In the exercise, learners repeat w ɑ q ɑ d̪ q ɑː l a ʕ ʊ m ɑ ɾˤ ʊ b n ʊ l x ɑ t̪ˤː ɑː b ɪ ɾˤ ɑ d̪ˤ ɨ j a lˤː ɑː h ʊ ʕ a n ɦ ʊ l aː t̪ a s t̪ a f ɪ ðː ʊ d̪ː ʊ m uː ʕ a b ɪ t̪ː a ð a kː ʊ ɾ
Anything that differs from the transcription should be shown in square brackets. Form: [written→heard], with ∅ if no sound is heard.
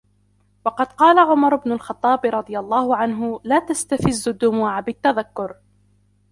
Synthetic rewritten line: w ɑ q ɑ d̪ q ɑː l a ʕ ʊ m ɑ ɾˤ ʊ b n ʊ l x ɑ t̪ˤː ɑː b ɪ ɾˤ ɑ d̪ˤ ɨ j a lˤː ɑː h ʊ ʕ a n ɦ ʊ l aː t̪ a s t̪ a f ɪ [ðː→zː] ʊ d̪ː ʊ m uː ʕ a b ɪ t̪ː a ð a kː ʊ ɾ